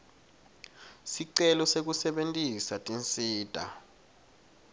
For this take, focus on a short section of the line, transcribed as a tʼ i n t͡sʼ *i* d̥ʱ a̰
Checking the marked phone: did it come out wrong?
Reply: yes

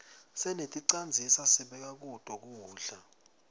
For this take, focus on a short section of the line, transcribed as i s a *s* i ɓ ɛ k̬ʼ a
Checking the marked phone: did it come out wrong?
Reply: no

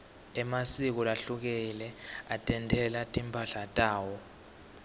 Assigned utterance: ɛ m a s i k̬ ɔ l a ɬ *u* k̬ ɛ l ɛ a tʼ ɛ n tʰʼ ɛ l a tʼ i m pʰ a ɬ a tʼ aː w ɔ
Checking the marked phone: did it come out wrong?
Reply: no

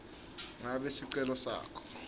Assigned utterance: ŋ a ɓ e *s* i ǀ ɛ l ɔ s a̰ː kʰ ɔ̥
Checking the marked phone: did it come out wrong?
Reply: no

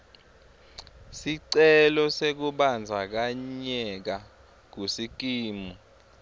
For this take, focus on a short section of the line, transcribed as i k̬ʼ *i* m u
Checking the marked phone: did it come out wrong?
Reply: yes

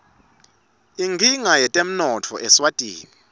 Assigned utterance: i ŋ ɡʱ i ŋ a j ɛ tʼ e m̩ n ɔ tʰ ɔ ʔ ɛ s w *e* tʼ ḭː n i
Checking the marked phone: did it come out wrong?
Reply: yes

